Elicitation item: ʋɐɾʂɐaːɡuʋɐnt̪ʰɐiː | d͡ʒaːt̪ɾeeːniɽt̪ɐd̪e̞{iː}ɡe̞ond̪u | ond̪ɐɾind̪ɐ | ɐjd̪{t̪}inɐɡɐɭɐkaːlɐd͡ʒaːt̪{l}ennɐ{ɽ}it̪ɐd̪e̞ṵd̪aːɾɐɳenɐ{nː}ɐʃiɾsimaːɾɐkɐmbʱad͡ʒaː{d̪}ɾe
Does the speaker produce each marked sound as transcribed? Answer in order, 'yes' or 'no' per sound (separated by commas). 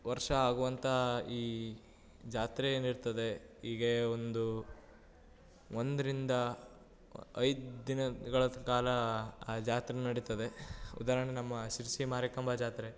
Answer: yes, no, no, yes, no, no